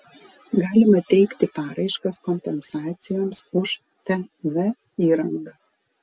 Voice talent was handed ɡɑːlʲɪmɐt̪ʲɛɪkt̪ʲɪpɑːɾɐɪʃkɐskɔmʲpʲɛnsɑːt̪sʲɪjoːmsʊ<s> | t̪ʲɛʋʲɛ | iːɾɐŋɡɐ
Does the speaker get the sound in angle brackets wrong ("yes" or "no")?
yes